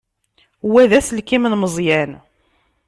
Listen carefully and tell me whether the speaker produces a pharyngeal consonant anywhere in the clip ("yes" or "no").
no